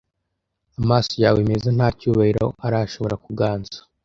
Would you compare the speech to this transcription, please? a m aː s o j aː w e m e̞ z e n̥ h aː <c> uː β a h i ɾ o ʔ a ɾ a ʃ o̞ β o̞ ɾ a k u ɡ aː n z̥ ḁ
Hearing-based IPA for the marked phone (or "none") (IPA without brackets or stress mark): c